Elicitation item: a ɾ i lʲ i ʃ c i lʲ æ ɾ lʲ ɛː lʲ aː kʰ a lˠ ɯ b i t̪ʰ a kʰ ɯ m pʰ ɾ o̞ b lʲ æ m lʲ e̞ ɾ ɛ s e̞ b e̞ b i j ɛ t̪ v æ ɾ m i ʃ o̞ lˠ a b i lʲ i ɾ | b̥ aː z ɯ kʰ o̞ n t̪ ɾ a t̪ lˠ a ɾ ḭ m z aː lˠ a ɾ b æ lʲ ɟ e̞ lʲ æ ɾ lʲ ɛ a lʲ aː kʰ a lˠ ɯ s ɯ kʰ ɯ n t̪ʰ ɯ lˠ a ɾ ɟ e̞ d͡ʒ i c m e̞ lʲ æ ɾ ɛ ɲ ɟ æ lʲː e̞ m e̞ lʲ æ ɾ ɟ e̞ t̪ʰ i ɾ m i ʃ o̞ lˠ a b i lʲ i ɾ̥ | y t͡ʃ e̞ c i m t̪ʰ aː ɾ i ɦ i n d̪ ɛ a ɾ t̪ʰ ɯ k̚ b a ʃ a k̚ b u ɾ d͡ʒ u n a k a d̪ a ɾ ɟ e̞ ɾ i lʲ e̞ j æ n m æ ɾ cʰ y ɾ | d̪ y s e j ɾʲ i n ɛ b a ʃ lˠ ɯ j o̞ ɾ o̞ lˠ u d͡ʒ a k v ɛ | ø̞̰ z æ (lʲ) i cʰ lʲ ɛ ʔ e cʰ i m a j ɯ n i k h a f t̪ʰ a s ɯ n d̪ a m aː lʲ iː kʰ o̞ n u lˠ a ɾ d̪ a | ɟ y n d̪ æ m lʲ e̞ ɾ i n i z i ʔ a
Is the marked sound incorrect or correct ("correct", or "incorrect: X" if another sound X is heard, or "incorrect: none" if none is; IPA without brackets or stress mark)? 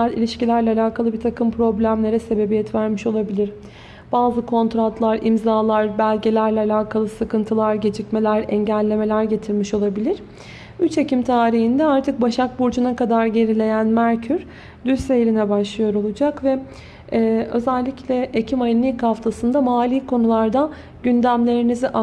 incorrect: lʲː